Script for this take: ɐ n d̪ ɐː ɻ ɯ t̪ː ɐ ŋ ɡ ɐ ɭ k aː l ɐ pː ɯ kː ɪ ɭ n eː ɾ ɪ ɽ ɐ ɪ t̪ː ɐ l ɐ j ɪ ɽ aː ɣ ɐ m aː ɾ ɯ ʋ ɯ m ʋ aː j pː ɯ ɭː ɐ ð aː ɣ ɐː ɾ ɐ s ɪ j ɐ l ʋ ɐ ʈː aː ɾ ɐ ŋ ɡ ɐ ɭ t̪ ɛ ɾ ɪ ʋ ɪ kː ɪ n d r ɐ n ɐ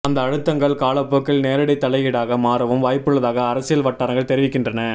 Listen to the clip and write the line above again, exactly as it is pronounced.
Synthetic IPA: ɐ n d̪ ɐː ɻ ɯ t̪ː ɐ ŋ ɡ ɐ ɭ k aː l ɐ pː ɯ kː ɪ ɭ n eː ɾ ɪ ɽ ɐ ɪ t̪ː ɐ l ɐ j ɪ ɽ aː ɣ ɐ m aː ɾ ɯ ʋ ɯ m ʋ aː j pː ɯ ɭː ɐ ð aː ɣ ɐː ɾ ɐ s ɪ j ɐ l ʋ ɐ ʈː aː ɾ ɐ ŋ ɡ ɐ ɭ t̪ ɛ ɾ ɪ ʋ ɪ kː ɪ n d r ɐ n ɐ

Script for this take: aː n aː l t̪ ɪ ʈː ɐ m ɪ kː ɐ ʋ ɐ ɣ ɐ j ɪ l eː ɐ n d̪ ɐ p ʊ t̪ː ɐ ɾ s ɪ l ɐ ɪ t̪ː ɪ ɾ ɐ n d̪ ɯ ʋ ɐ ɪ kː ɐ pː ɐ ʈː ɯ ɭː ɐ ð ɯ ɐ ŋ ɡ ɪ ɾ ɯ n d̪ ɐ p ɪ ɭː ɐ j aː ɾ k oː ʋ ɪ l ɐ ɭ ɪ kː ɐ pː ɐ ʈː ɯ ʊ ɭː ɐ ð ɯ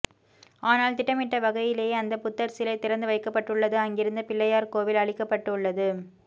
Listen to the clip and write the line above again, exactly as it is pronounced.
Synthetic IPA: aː n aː l t̪ ɪ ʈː ɐ m ɪ ʈː ɐ ʋ ɐ ɣ ɐ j ɪ l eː ɐ n d̪ ɐ p ʊ t̪ː ɐ ɾ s ɪ l ɐ ɪ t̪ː ɪ ɾ ɐ n d̪ ɯ ʋ ɐ ɪ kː ɐ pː ɐ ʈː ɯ ɭː ɐ ð ɯ ɐ ŋ ɡ ɪ ɾ ɯ n d̪ ɐ p ɪ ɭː ɐ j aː ɾ k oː ʋ ɪ l ɐ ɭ ɪ kː ɐ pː ɐ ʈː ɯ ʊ ɭː ɐ ð ɯ

